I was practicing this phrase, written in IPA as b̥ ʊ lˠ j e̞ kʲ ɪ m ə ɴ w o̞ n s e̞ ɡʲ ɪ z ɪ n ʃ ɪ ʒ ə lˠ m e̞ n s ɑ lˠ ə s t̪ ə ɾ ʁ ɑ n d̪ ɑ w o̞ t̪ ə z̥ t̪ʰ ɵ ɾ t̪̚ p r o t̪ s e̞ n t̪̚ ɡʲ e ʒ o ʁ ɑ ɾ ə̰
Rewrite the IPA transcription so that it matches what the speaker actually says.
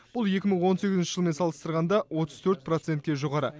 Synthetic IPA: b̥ ʊ lˠ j e̞ kʲ ɪ m ə ɴ w o̞ n s e̞ ɡʲ ɪ z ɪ n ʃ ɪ ʒ ə lˠ m e̞ n s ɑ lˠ ə s t̪ ə ɾ ʁ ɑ n d̪ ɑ w o̞ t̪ ə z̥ t̪ʰ ɵ ɾ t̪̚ p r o t̪ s e̞ n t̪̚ kʲ e ʒ o ʁ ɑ ɾ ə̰